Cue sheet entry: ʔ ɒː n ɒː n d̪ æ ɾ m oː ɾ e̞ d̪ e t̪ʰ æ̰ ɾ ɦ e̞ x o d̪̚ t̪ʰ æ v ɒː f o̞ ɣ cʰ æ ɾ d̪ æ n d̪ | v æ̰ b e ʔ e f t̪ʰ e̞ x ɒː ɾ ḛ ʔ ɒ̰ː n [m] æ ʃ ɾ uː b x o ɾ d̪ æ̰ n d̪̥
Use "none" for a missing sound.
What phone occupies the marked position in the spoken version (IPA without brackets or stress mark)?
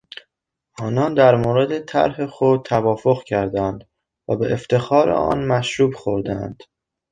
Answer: m